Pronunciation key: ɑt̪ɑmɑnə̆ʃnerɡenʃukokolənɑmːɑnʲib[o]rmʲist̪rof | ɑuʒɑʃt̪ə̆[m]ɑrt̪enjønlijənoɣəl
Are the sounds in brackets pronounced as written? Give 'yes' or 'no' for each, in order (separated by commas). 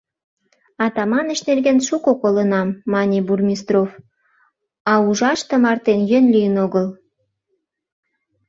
no, yes